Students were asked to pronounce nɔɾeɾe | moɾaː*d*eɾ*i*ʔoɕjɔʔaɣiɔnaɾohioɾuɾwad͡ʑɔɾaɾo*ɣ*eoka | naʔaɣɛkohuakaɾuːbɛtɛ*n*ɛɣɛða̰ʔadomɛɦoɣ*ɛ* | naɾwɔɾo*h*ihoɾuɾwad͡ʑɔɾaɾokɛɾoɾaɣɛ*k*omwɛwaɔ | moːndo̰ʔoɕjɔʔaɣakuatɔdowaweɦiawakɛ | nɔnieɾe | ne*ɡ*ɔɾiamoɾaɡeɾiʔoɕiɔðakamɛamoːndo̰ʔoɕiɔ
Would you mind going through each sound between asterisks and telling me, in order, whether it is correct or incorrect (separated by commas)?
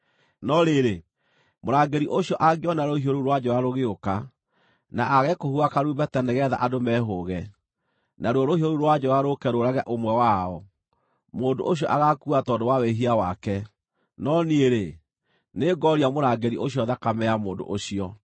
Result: incorrect, correct, correct, correct, correct, correct, incorrect, correct